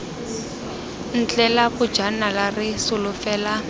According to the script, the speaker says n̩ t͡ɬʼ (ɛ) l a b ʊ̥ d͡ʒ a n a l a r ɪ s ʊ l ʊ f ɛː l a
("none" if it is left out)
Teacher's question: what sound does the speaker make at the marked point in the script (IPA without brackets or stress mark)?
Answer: ɛ